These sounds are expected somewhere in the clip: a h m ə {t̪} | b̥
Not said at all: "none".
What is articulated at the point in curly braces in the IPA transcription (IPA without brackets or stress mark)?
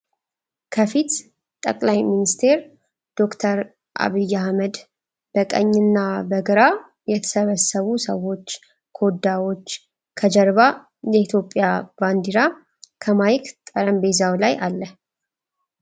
d̪